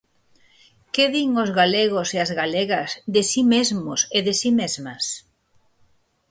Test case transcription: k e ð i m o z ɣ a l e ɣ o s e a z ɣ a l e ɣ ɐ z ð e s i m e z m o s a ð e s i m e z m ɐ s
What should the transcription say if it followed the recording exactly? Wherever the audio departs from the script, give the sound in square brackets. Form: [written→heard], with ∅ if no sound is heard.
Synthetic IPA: k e ð i [m→ŋ] o z ɣ a l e ɣ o s e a z ɣ a l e ɣ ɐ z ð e s i m e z m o s [a→e] ð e s i m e z m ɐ s